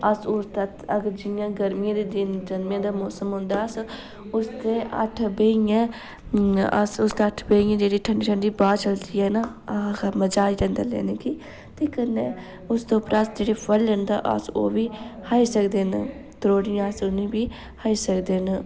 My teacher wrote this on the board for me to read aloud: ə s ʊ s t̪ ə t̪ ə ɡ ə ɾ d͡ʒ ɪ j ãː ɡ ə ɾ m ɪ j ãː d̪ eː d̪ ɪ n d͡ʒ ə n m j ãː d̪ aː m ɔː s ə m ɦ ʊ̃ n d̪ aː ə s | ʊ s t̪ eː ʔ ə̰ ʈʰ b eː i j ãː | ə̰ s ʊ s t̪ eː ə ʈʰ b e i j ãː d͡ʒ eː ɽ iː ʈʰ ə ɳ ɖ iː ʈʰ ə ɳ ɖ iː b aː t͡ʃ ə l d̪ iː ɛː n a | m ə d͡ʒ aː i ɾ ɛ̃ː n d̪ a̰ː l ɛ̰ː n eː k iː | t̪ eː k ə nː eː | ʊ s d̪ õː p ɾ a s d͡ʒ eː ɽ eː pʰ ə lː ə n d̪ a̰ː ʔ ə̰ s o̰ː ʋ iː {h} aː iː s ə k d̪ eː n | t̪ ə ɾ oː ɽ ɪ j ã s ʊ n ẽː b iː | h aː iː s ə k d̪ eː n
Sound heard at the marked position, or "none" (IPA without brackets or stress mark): h